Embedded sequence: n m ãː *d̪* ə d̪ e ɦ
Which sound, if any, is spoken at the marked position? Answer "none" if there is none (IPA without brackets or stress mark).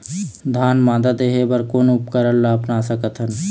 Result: d̪